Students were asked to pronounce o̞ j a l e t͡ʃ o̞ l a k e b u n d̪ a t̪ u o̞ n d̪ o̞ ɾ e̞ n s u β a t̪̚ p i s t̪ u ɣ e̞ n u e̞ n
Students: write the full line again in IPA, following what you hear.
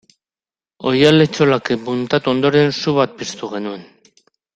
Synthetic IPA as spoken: o̞ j a l e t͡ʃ o̞ l a k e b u n t̪ a t̪ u o̞ n d̪ o̞ ɾ e̞ n s u β a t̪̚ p i s t̪ u ɣ e̞ n u e̞ n

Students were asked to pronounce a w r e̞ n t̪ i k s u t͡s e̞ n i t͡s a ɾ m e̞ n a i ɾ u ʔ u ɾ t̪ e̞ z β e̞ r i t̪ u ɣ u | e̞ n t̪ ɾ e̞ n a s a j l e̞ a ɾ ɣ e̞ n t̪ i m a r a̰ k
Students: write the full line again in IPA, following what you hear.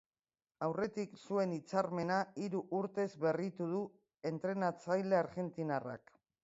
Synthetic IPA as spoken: a w r e̞ t̪ i k s u e̞ n i t͡s a ɾ m e̞ n a i ɾ u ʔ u ɾ t̪ e̞ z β e̞ r i t̪ u ð u | e̞ n t̪ ɾ e̞ n a t͡s a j l e̞ a ɾ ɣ e̞ n t̪ i n a r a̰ k

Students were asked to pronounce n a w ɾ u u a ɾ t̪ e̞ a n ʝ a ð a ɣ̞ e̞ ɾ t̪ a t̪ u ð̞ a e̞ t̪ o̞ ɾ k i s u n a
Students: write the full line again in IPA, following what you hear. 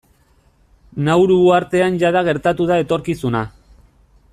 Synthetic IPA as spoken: n a w ɾ u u a ɾ t̪ e̞ a n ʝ a ð a ɣ̞ e̞ ɾ t̪ a t̪ u ð̞ a e̞ t̪ o̞ ɾ k i s u n a

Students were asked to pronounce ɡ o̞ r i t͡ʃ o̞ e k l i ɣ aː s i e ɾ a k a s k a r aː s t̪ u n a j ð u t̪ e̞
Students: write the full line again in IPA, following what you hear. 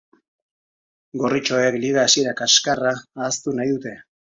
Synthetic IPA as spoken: ɡ o̞ r i t͡ʃ o̞ e k l i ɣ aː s i e ɾ a k a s k a r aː s t̪ u n a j ð u t̪ e̞

